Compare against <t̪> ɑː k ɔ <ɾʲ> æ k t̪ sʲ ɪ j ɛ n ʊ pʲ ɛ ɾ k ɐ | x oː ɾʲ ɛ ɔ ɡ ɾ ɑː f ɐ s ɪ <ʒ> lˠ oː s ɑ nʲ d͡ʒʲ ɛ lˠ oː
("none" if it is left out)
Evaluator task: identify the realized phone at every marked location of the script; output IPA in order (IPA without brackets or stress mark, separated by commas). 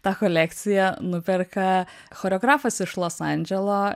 t̪, lʲ, ʃ